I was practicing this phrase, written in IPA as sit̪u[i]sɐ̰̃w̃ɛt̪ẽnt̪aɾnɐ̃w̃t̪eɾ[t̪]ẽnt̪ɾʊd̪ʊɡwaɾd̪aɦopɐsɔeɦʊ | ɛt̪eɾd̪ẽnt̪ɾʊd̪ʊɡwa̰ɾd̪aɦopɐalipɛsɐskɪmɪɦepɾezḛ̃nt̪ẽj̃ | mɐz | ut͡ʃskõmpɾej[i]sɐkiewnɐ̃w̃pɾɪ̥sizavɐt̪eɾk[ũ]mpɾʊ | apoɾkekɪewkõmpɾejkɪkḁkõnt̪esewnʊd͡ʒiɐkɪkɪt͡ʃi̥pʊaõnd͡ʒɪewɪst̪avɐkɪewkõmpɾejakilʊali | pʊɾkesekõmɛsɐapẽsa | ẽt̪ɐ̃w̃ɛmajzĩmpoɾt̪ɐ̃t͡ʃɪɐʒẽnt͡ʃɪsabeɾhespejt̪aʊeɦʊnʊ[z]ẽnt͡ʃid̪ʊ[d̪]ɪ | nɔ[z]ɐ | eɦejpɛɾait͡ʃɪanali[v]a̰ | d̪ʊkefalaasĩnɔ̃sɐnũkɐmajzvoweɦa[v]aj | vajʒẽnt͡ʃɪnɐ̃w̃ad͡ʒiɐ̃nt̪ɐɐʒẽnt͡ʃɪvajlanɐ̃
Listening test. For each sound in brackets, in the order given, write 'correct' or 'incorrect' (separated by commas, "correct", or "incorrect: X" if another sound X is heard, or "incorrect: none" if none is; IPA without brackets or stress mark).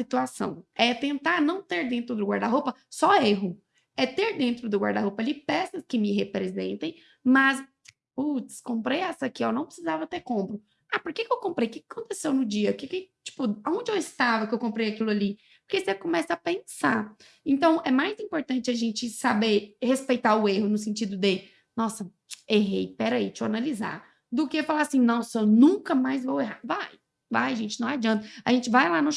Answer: incorrect: a, incorrect: d̪, incorrect: ɛ, incorrect: õ, incorrect: s, correct, incorrect: s, incorrect: z, correct